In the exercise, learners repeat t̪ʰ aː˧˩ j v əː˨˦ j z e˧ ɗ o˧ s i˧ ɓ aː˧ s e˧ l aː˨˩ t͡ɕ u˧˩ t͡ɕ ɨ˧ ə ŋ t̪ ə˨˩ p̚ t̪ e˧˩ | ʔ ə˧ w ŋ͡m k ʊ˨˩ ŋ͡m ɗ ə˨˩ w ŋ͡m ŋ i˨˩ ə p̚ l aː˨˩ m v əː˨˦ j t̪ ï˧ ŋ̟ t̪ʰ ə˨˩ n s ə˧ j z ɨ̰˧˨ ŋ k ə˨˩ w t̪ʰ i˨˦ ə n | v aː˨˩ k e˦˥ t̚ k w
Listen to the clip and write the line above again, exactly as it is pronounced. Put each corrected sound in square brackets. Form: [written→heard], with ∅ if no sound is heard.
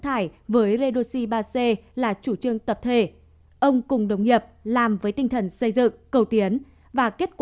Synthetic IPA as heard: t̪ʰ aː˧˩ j v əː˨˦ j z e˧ ɗ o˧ s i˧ ɓ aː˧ s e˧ l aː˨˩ t͡ɕ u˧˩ t͡ɕ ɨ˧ ə ŋ t̪ ə˨˩ p̚ [t̪→t̪ʰ] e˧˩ | ʔ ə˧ w ŋ͡m k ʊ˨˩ ŋ͡m ɗ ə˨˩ w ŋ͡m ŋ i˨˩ ə p̚ l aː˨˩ m v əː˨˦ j t̪ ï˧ ŋ̟ t̪ʰ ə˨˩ n s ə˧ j z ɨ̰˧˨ ŋ k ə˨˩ w [t̪ʰ→t̪] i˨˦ ə n | v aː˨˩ k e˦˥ t̚ k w